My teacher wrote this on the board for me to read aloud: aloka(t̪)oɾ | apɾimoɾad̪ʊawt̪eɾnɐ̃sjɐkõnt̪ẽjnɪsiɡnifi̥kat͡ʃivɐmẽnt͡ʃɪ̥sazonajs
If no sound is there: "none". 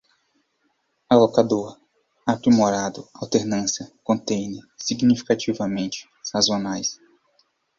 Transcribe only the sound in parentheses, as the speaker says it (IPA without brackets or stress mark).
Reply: d̪